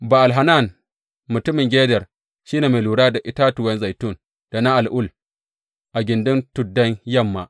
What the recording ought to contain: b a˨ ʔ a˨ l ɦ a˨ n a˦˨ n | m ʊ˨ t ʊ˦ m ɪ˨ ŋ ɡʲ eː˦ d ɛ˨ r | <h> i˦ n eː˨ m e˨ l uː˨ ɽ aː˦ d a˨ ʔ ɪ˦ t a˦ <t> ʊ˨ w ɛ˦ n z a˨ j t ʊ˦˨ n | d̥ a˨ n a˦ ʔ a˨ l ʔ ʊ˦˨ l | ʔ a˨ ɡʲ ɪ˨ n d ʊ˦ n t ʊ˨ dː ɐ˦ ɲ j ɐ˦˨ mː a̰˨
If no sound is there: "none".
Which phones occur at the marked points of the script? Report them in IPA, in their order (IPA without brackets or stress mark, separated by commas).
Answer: ʃ, t